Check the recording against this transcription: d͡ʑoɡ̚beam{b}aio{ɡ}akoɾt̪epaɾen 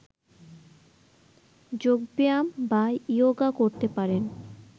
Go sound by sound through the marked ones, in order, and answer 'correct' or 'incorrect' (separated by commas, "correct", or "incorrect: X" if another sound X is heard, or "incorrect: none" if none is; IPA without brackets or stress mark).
correct, correct